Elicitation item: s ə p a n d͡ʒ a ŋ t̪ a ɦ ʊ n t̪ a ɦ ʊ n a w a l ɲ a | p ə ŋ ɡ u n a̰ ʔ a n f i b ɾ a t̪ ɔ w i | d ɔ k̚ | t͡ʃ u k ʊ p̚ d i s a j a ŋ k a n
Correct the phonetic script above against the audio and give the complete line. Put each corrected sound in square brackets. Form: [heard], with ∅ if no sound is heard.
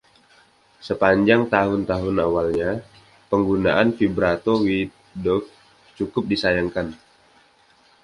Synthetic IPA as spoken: s ə p a [ɲ] d͡ʒ a ŋ t̪ a ɦ ʊ n t̪ a ɦ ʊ n a w a l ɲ a | p ə ŋ ɡ u n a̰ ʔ a n f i b ɾ a t̪ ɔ w i | d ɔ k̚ | t͡ʃ u k ʊ p̚ d i s a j a ŋ k a n